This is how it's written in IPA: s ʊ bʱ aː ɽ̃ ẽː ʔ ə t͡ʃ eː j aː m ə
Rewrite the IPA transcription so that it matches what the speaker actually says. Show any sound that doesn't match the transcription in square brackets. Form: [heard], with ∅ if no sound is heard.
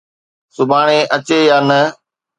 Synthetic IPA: s ʊ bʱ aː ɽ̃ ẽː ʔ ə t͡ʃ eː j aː [n] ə